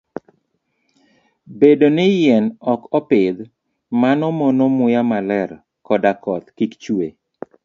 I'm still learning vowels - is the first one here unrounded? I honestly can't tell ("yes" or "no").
yes